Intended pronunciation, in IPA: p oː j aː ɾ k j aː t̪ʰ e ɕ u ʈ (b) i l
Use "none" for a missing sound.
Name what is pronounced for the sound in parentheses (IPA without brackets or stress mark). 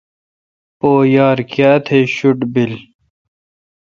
b